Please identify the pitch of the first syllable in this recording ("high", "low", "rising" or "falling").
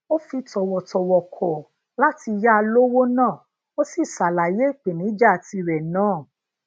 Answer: high